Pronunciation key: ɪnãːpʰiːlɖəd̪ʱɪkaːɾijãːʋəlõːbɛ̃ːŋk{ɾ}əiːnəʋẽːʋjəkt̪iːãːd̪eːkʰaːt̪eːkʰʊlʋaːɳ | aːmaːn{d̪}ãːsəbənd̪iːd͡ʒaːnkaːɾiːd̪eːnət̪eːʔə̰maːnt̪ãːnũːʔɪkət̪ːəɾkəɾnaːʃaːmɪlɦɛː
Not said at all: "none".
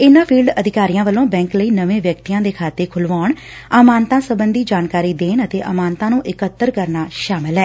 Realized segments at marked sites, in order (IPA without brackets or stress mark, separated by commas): l, t̪